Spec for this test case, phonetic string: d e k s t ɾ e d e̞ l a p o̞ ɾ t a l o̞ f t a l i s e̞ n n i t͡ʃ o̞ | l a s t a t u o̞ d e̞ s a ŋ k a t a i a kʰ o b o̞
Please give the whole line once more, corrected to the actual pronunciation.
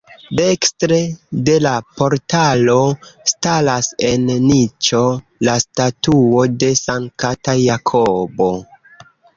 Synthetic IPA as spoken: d e k s t ɾ e d e̞ l a p o̞ ɾ t a l o̞ s t a l a s e̞ n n i t͡ʃ o̞ | l a s t a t u o̞ d e̞ s a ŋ k a t a j a kʰ o b o̞

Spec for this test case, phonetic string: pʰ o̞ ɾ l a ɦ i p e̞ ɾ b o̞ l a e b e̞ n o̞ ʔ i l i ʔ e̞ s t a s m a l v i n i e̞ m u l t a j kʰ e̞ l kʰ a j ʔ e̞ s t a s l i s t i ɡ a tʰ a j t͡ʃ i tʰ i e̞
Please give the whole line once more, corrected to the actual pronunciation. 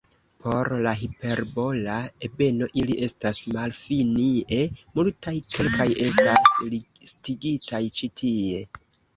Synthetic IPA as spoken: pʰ o̞ ɾ l a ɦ i p e̞ ɾ b o̞ l a e b e̞ n o̞ ʔ i l i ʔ e̞ s t a s m a l f i n i e̞ m u l t a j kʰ e̞ l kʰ a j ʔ e̞ s t a s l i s t i ɡ i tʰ a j t͡ʃ i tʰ i e̞

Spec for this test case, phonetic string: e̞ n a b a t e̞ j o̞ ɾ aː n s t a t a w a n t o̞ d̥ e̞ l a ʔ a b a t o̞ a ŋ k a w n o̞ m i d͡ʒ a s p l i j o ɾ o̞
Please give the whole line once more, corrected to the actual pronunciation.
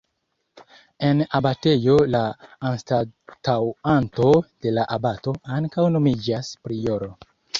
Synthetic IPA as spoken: e̞ n a b a t e̞ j o̞ l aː n s t a t a w a n t o̞ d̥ e̞ l a ʔ a b a t o̞ a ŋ k a w n o̞ m i d͡ʒ a s p ɾ i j o ɾ o̞

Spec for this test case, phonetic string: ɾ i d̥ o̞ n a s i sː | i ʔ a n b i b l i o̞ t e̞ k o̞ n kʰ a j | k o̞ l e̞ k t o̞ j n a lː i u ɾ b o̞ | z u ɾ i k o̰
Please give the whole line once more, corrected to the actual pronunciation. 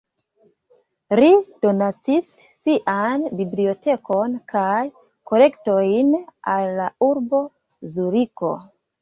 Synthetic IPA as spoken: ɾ i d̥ o̞ n a t͡s i sː | i ʔ a n b i b l i o̞ t e̞ k o̞ n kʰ a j | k o̞ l e̞ k t o̞ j n a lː a u ɾ b o̞ | z u ɾ i k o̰

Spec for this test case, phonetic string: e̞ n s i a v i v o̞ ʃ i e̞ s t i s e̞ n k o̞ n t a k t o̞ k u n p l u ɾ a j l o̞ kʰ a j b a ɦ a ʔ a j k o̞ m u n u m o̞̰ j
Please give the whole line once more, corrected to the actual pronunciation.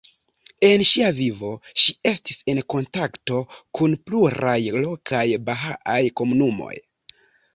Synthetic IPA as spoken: e̞ n ʃ i a v i v o̞ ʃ i e̞ s t i s e̞ n k o̞ n t a k t o̞ k u n p l u ɾ a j l o̞ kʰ a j b a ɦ a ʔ a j k o̞ m u n u m o̞̰ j

